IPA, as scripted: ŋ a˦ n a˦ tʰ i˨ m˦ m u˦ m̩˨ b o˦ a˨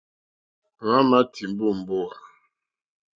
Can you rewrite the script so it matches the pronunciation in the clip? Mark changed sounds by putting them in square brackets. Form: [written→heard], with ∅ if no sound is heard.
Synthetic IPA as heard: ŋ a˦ [n→m] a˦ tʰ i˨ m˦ [m→b] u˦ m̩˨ b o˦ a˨